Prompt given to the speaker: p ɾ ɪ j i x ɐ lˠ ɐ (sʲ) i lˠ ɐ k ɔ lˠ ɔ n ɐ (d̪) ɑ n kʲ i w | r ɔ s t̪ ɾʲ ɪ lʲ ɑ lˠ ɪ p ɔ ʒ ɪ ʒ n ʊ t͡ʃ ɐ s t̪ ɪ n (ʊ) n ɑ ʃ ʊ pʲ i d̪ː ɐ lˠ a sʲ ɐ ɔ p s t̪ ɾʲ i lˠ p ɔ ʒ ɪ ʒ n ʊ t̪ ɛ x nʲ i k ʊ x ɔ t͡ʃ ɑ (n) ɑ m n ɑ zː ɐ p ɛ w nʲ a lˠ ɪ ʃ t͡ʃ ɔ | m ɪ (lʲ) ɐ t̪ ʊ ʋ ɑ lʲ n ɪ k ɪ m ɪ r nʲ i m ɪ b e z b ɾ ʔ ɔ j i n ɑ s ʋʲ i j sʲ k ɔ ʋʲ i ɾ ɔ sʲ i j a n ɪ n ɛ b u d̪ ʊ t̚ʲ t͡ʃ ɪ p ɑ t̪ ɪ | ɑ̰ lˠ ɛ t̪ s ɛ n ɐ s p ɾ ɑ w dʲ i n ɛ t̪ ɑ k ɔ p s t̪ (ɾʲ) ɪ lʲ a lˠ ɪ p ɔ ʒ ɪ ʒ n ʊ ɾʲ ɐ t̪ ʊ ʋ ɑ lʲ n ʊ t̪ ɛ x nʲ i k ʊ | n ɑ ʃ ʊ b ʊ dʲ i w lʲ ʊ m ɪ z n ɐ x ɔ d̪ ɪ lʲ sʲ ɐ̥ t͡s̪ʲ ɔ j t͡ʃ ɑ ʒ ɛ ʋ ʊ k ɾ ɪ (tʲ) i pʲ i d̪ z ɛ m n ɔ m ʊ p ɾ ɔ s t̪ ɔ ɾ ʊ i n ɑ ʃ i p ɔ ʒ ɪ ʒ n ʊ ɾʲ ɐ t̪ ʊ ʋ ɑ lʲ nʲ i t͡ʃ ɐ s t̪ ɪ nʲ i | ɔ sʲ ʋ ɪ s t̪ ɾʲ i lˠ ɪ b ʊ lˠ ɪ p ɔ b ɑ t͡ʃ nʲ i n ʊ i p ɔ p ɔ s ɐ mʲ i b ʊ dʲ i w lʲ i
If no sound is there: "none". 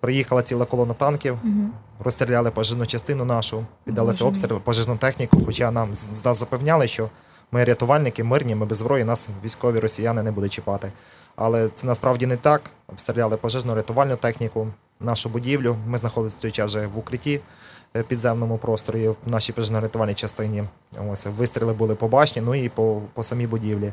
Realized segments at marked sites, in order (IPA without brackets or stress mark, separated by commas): t͡sʲ, t̪, ʊ, n, ɾʲ, ɾʲ, tʲ